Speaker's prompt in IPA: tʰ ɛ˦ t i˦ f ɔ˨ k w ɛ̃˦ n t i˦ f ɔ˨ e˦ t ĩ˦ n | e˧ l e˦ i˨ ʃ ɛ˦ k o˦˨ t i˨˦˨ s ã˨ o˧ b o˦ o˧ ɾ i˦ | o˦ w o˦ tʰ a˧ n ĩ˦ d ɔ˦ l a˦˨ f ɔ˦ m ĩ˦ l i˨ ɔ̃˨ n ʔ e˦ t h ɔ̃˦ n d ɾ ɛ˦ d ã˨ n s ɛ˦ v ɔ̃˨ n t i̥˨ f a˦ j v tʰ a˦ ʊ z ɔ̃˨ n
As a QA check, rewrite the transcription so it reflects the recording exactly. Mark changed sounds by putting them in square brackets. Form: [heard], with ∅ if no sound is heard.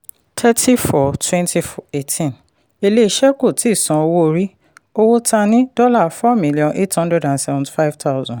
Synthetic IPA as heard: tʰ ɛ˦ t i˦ f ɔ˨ [t] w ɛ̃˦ n t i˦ f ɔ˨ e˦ t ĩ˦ n | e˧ l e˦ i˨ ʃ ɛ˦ k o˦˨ t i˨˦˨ s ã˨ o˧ [w] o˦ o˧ ɾ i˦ | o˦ w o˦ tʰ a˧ n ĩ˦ d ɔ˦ l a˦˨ f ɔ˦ m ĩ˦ l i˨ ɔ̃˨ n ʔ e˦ t h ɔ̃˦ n d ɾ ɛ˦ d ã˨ n s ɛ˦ v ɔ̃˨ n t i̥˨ f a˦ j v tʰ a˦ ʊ z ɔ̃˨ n